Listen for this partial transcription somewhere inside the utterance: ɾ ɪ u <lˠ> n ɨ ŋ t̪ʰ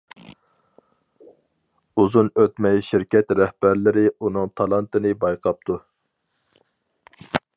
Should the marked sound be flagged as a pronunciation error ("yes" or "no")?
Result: yes